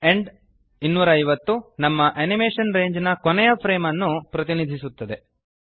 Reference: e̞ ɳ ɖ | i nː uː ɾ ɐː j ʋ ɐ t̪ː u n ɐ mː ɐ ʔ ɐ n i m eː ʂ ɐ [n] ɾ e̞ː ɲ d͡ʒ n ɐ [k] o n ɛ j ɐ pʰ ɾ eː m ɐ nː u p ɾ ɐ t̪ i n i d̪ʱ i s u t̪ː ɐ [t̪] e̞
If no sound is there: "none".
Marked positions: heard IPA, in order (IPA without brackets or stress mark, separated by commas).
n, k, d̪